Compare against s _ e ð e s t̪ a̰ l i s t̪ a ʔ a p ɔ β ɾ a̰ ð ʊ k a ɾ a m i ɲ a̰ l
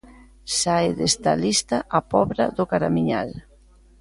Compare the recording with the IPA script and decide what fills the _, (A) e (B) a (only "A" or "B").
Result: B